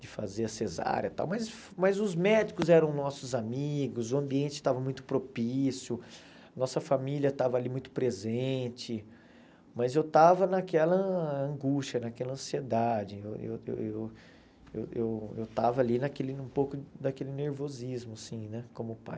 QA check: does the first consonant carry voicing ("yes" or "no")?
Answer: yes